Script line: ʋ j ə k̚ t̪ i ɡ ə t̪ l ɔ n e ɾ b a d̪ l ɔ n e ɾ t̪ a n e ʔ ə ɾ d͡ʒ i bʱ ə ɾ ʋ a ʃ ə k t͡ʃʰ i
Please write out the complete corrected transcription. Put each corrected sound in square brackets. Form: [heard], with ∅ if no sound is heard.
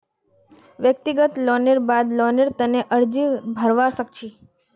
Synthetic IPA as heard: ʋ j ə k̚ t̪ i ɡ ə t̪ l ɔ n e ɾ b a d̪ l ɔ n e ɾ t̪ [ə] n e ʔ ə ɾ d͡ʒ i bʱ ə ɾ ʋ a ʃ ə k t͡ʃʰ i